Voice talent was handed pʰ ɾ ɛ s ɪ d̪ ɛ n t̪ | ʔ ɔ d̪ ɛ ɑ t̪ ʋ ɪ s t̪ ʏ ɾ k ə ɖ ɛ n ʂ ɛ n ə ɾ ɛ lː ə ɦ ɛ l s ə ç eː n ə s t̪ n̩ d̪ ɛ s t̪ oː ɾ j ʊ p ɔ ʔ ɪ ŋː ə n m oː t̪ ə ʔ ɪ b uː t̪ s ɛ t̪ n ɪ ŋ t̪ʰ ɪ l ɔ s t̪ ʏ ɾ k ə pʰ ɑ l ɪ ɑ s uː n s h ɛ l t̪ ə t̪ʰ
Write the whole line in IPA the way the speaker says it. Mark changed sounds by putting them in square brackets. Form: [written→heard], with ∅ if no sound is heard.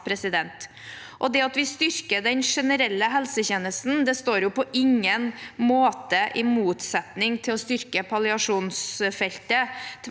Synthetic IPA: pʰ ɾ ɛ s ɪ d̪ ɛ n t̪ | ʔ ɔ d̪ ɛ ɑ t̪ ʋ ɪ s t̪ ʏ ɾ k ə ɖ ɛ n ʂ ɛ n ə ɾ ɛ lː ə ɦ ɛ l s ə ç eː n ə s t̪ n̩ d̪ ɛ s t̪ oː ɾ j ʊ p ɔ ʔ ɪ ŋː ə n m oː t̪ ə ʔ ɪ [b→m] uː t̪ s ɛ t̪ n ɪ ŋ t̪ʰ ɪ l ɔ s t̪ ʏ ɾ k ə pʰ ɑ l ɪ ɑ [s→ʂ] uː n s [h→f] ɛ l t̪ ə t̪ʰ